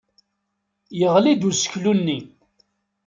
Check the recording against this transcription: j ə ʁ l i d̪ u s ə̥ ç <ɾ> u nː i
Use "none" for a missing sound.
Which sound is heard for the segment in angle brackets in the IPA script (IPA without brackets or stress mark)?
l